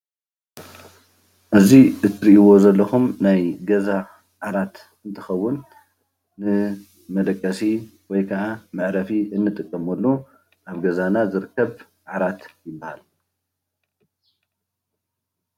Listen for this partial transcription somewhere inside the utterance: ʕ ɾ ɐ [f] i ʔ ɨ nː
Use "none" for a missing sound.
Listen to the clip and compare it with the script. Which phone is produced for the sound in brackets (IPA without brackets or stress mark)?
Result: f